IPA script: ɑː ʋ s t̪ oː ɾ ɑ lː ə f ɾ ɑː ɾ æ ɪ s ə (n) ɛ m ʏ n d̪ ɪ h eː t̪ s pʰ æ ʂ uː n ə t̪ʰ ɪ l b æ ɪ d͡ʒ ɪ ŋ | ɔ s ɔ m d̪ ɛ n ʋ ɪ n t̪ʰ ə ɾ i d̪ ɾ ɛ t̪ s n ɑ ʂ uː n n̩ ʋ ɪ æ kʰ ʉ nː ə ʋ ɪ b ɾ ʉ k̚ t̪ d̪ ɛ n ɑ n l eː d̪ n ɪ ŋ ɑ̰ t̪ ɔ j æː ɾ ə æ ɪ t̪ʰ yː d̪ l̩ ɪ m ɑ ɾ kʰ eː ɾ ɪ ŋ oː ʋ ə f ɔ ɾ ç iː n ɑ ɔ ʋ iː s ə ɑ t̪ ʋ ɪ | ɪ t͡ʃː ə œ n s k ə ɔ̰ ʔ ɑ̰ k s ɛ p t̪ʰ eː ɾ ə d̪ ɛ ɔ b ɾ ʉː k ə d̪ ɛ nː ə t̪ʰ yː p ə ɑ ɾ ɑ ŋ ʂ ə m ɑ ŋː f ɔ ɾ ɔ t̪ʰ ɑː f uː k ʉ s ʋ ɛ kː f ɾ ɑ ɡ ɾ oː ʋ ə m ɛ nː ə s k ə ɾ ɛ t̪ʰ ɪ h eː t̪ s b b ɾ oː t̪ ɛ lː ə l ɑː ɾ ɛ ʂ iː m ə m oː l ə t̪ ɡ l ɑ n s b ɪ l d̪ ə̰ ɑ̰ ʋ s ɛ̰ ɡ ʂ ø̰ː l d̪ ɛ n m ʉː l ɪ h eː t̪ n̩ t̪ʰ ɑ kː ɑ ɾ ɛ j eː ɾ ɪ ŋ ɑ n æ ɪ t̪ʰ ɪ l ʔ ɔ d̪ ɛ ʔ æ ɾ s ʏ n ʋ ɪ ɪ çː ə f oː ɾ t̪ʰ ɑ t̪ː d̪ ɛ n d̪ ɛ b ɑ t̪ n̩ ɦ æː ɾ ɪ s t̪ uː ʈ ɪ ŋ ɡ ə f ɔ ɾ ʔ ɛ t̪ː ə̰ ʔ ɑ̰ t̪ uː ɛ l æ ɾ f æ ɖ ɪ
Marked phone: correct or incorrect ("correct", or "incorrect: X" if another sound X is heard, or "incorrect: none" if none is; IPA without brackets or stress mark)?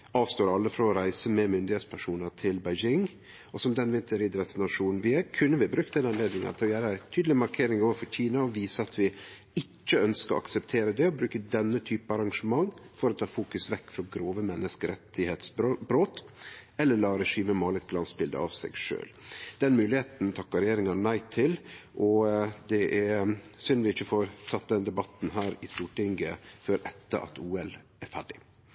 incorrect: m